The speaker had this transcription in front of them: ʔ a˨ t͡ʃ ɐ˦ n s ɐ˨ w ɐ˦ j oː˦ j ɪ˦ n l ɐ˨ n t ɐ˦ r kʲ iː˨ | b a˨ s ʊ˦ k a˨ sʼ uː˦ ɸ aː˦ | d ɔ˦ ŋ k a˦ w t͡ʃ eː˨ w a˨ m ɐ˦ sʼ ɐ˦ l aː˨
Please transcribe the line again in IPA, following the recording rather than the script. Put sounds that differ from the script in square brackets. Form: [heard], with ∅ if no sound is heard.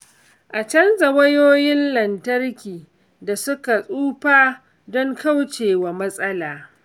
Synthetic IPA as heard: ʔ a˨ t͡ʃ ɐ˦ n [z] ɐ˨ w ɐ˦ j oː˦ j ɪ˦ n l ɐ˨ n t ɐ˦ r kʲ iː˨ | [d] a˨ s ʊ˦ k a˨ sʼ uː˦ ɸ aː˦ | d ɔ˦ ŋ k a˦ w t͡ʃ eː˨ w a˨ m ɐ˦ sʼ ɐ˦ l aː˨

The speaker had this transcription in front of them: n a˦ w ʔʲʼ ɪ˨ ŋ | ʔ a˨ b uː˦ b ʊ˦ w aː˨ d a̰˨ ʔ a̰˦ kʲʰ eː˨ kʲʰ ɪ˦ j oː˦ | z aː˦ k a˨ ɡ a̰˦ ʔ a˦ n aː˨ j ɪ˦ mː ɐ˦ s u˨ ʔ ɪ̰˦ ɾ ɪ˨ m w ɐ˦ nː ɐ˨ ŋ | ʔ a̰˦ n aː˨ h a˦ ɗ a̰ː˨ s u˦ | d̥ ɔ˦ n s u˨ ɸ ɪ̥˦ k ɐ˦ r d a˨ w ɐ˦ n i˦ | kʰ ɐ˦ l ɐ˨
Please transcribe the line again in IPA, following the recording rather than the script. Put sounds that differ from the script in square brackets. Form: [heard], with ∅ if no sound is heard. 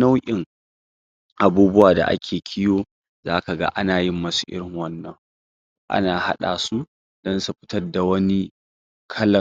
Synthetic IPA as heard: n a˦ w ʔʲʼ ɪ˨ ŋ | ʔ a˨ b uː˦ b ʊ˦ w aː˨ d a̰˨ ʔ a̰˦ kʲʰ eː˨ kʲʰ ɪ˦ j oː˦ | z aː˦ k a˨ ɡ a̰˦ ʔ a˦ n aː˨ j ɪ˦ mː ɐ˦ s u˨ ʔ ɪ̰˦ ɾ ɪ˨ [ŋ] w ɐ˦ nː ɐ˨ ŋ | ʔ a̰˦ n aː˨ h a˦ ɗ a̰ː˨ s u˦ | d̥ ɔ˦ n s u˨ ɸ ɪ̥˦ [t] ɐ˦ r d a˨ w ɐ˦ n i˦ | kʰ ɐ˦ l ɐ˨

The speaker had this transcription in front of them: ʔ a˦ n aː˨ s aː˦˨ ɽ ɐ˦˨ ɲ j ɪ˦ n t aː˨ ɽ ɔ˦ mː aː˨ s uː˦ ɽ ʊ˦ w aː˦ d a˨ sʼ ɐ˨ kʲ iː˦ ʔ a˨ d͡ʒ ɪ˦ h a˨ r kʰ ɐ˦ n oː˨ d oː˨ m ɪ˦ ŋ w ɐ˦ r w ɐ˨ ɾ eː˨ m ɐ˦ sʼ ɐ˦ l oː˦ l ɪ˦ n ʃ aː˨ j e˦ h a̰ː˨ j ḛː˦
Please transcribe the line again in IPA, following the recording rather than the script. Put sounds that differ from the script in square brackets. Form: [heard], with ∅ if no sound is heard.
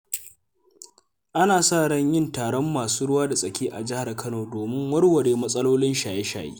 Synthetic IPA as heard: ʔ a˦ n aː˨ s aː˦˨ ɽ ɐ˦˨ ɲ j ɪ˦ n t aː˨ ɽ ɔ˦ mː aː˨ s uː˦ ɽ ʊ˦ w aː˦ d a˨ sʼ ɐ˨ kʲ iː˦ ʔ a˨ d͡ʒ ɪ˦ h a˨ r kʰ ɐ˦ n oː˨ d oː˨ m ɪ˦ ŋ w ɐ˦ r w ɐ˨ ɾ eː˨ m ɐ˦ sʼ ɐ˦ l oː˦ l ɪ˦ n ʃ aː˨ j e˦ [ʃ] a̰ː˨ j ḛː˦

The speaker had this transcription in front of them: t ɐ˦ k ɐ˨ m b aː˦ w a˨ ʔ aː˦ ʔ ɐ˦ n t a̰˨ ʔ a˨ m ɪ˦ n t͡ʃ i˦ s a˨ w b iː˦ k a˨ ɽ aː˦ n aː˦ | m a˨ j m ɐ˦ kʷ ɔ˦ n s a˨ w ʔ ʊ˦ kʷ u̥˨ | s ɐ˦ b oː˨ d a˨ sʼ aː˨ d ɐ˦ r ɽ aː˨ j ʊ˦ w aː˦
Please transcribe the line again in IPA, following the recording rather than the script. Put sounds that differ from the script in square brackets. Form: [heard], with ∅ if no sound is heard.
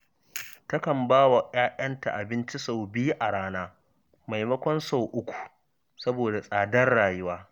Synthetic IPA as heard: t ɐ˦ k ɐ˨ m b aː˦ w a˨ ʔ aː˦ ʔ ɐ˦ n t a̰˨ ʔ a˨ [b] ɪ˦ n t͡ʃ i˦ s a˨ w b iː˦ [ʔ] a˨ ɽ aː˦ n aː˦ | m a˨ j m ɐ˦ kʷ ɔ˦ n s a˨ w ʔ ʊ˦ kʷ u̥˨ | s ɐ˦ b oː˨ d a˨ sʼ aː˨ d ɐ˦ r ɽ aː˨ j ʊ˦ w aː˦

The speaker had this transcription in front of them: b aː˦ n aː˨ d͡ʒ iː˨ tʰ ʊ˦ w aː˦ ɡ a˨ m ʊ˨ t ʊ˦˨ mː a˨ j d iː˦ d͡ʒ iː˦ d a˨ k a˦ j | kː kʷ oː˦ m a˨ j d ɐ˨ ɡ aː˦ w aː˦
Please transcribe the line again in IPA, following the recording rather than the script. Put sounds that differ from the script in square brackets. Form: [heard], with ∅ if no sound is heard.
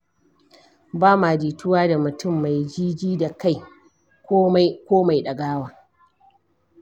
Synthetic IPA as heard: b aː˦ [m] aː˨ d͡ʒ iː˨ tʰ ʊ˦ w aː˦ [d] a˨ m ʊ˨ t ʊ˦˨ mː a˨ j [d͡ʒ] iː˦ d͡ʒ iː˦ d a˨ k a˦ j | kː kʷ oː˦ m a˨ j [ɗ] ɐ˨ ɡ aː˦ w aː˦

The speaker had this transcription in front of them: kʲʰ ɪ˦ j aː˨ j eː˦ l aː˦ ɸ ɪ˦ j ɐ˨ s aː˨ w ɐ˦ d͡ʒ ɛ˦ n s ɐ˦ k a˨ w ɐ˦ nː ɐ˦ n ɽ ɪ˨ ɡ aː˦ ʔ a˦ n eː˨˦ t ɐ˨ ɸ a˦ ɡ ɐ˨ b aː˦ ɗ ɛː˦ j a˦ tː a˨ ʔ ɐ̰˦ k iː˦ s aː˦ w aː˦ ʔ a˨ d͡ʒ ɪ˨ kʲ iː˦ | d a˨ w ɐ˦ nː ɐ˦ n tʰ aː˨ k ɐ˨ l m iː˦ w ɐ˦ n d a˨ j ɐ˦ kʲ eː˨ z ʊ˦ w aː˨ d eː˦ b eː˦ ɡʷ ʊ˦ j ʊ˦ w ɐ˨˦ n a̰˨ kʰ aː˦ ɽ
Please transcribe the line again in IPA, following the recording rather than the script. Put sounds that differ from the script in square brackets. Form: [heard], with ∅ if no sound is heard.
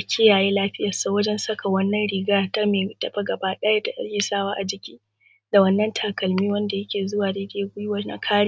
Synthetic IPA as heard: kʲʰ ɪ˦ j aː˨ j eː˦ l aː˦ ɸ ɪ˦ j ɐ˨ s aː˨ w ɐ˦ d͡ʒ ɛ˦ n s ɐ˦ k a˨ w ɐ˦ nː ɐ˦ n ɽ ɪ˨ ɡ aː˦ [t] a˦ [m] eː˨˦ t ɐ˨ ɸ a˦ ɡ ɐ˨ b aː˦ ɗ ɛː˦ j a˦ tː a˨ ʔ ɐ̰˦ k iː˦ s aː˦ w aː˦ ʔ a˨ d͡ʒ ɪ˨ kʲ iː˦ | d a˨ w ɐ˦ nː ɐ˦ n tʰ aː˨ k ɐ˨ l m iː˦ w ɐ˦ n d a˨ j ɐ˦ kʲ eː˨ z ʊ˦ w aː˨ d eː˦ [d] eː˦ ɡʷ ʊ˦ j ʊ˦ w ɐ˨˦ n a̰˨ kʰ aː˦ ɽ

